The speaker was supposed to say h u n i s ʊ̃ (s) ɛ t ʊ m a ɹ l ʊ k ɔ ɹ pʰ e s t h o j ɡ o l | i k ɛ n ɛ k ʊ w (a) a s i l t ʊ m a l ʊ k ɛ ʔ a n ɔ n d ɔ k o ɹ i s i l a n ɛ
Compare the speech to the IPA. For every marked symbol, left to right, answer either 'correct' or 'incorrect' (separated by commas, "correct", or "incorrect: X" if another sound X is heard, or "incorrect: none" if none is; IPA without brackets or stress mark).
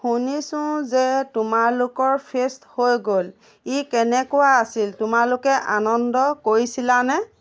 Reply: incorrect: z, correct